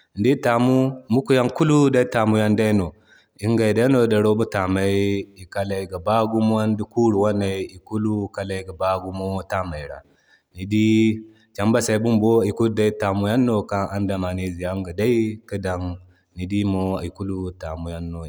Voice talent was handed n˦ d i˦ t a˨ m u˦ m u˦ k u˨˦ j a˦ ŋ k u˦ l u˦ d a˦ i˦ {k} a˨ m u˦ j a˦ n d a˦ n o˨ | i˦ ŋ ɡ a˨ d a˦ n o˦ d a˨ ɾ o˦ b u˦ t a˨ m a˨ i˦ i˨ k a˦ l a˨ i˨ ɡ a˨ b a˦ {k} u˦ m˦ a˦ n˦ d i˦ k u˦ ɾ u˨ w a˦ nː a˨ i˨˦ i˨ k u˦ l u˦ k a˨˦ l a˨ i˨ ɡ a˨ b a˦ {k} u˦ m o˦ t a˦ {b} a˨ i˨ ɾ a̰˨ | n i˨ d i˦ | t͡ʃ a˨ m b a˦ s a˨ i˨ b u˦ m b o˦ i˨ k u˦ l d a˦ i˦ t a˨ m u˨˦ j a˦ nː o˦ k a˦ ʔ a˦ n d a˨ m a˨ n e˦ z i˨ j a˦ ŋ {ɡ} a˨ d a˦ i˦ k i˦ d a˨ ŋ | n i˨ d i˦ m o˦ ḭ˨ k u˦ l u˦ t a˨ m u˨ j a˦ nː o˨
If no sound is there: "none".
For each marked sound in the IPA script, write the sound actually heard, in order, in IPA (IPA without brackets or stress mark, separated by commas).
t, ɡ, ɡ, m, ɡ